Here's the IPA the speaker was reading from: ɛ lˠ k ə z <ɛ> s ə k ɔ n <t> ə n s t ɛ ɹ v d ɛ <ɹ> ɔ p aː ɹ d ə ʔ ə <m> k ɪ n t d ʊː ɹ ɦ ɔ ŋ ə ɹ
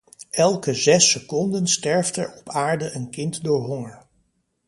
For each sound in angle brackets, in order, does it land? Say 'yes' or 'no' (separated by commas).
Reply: yes, no, yes, no